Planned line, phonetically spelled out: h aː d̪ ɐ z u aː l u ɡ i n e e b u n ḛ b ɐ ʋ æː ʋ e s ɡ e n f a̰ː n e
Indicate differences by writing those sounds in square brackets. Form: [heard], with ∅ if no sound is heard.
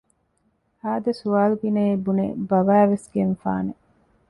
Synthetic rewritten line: h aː d̪ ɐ [s] u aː l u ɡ i n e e b u n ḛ b ɐ ʋ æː ʋ e s ɡ e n f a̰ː n e